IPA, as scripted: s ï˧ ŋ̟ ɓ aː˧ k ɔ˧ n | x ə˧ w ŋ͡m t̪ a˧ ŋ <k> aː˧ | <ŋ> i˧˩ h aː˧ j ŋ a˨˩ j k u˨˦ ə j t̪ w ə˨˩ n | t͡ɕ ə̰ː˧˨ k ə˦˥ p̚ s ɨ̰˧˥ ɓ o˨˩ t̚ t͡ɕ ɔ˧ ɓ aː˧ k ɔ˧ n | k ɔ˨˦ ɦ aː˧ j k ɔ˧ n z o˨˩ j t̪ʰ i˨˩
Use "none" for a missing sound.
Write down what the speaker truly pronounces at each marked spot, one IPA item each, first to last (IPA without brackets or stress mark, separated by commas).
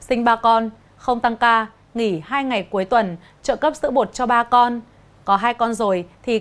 k, ŋ